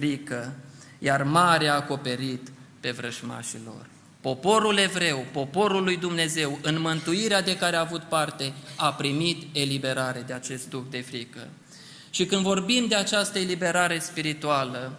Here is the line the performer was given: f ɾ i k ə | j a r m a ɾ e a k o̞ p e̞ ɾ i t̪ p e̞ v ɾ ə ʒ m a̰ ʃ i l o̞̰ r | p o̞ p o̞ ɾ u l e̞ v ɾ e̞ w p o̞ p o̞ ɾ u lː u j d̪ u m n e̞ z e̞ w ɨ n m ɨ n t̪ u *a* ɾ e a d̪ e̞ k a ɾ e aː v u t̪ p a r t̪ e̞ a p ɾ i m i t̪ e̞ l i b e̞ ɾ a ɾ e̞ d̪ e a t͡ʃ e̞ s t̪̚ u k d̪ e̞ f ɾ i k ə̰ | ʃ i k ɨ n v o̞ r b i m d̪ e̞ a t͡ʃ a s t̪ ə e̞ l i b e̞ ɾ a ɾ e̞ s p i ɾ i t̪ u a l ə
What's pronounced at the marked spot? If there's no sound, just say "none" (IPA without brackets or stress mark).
i